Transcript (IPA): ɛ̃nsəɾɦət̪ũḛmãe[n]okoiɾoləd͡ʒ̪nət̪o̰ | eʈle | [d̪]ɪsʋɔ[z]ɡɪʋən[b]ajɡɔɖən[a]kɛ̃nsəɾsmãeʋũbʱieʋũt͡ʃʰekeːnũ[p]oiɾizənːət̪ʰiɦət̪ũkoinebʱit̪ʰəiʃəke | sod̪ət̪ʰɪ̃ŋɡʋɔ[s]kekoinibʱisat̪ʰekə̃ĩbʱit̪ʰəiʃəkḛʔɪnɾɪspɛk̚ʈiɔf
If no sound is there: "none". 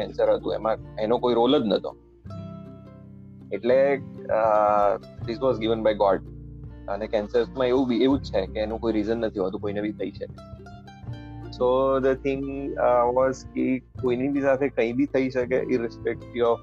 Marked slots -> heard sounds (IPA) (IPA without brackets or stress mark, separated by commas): n, d̪, z, b, e, k, z